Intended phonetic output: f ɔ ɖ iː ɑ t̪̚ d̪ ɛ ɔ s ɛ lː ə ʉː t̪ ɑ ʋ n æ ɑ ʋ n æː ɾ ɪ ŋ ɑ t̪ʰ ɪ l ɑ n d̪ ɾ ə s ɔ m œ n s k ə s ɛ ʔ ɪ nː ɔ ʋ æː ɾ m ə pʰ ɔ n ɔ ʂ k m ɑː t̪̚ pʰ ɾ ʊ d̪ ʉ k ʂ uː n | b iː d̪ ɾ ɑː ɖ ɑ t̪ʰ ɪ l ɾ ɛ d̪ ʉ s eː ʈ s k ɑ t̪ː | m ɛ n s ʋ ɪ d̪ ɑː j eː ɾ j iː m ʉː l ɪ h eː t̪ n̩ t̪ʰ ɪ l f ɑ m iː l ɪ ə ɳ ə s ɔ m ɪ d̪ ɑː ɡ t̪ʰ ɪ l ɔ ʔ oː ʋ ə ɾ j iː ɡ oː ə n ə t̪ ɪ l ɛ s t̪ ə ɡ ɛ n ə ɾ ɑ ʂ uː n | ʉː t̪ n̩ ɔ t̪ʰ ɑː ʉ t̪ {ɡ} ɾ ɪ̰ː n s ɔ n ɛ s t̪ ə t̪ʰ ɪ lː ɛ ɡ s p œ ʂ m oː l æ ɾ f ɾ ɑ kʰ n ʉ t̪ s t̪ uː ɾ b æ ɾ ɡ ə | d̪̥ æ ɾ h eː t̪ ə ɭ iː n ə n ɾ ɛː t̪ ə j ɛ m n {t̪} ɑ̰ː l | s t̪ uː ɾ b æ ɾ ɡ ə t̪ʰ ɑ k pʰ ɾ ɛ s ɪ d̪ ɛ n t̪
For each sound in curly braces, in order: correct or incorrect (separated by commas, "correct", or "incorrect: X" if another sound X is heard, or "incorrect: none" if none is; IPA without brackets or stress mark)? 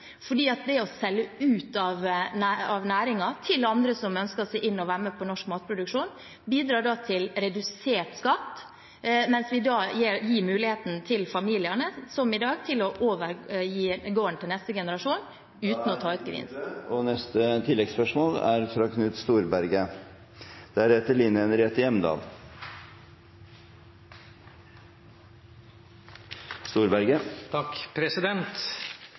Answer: correct, incorrect: d̪